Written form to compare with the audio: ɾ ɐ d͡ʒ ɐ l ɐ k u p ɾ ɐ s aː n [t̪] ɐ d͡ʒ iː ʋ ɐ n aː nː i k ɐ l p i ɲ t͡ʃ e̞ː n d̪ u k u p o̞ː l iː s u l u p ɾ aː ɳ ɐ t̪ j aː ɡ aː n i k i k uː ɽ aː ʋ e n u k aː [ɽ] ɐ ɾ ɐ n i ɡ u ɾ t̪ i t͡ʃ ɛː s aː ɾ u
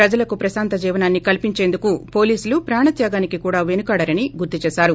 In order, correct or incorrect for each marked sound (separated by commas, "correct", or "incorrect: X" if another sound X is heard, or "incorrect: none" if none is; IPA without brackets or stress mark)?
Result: correct, correct